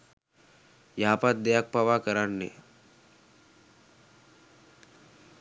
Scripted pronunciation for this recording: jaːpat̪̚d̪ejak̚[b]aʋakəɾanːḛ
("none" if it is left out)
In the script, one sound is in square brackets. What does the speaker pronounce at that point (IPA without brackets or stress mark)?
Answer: p